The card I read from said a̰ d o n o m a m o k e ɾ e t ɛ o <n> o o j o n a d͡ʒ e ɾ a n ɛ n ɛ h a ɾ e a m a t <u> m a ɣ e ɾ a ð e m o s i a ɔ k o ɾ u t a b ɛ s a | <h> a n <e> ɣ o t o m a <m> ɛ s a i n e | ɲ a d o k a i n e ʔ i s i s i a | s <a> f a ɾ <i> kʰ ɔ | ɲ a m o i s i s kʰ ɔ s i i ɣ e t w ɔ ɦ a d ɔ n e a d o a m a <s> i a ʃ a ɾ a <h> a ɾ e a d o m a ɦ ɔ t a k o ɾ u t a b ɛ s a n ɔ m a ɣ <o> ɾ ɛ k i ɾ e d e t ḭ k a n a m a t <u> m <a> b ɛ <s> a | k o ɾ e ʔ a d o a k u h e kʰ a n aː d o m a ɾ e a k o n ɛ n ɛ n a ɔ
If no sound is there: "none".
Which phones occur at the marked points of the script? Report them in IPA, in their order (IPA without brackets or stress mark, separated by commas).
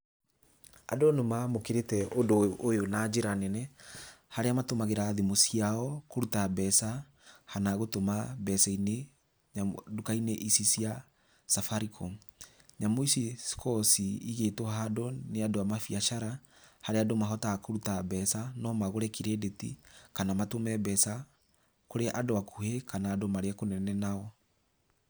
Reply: d, o, h, a, b, a, i, f, h, o, o, ɛ, s